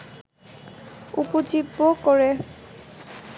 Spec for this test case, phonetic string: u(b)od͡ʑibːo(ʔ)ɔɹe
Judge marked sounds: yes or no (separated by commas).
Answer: no, no